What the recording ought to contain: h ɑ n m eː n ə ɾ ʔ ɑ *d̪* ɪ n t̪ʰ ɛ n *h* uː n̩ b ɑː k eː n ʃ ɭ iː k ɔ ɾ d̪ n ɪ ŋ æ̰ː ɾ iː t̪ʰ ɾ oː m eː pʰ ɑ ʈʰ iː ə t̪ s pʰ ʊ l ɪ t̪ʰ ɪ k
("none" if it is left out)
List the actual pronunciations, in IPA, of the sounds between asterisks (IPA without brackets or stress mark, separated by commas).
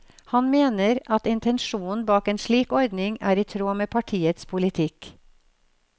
t̪, ʃ